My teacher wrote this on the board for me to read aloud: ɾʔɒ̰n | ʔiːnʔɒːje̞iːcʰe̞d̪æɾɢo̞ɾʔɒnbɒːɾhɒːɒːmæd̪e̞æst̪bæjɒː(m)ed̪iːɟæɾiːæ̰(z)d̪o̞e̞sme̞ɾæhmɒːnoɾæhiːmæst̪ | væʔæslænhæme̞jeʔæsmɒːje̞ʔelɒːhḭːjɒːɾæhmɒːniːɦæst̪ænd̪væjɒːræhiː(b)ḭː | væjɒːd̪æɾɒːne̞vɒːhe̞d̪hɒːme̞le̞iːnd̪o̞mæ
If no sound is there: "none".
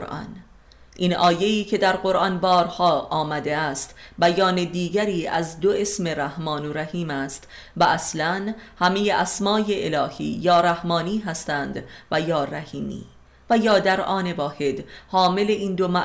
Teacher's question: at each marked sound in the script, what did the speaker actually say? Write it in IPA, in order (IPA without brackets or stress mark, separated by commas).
n, z, m